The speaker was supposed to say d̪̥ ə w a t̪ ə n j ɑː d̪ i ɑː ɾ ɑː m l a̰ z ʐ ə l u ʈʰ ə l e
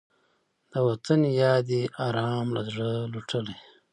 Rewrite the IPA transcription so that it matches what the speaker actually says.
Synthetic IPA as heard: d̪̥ ə w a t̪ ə n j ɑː d̪ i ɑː ɾ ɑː m l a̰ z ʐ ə l u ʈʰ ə l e